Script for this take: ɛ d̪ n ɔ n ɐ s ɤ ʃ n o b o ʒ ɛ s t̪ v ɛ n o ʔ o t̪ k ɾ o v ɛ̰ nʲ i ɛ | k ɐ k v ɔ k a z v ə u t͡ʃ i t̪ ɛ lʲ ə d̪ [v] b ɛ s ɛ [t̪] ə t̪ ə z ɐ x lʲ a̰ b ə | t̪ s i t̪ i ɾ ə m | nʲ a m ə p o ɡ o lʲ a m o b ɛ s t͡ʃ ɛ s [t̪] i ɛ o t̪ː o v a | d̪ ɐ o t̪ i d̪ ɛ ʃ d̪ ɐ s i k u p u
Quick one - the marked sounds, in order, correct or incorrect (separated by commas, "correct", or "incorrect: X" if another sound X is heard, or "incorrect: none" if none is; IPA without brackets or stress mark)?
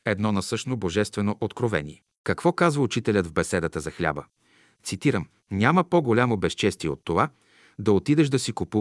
correct, incorrect: d̪, correct